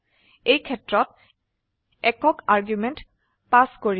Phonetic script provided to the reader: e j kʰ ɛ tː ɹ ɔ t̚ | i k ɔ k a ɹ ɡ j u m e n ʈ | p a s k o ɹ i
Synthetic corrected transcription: e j kʰ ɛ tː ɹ ɔ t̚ | ɛ k ɔ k a ɹ ɡ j u m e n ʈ | p a s k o ɹ i